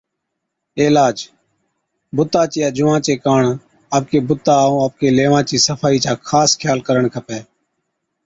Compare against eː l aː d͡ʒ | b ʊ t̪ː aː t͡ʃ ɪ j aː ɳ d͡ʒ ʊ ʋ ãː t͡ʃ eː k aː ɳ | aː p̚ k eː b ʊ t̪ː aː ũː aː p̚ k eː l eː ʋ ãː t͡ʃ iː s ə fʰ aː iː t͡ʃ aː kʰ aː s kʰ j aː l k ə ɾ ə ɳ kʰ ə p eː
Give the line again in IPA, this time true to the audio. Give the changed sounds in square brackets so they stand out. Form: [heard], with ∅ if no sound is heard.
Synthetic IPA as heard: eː l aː d͡ʒ | b ʊ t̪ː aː t͡ʃ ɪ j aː [∅] d͡ʒ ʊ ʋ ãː t͡ʃ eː k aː ɳ | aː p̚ k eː b ʊ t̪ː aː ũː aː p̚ k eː l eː ʋ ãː t͡ʃ iː s ə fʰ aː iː t͡ʃ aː kʰ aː s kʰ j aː l k ə ɾ ə ɳ kʰ ə p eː